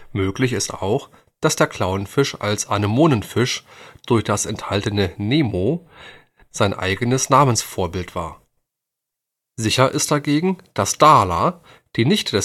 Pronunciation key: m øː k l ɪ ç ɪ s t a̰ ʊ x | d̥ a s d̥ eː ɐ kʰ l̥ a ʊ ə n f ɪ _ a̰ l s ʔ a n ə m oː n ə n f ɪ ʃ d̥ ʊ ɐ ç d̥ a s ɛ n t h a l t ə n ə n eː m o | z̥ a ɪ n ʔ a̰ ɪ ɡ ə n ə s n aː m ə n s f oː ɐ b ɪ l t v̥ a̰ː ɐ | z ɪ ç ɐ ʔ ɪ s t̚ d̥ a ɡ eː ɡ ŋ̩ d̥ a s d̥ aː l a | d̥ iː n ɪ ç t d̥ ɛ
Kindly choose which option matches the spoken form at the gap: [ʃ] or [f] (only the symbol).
ʃ